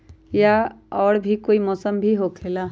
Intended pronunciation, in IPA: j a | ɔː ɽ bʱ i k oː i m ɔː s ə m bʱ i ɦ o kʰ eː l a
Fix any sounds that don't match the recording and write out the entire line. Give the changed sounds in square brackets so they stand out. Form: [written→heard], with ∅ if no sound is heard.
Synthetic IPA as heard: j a | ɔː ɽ bʱ i k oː i m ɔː s ə m bʱ i ɦ o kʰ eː l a